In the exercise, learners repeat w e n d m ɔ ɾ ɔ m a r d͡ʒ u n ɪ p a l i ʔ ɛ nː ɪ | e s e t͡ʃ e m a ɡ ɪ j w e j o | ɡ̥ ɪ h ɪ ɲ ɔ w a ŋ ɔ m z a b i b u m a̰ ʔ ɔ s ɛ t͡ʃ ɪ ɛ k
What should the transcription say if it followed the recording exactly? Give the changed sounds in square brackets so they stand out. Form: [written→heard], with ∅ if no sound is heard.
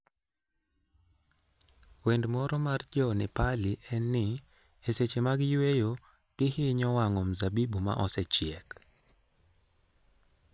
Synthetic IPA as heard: w e n d m ɔ ɾ ɔ m a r d͡ʒ [u→ɔ] n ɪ p a l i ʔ ɛ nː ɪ | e s e t͡ʃ e m a ɡ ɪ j w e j o | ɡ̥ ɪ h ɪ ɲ ɔ w a ŋ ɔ m z a b i b u m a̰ ʔ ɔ s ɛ t͡ʃ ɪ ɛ k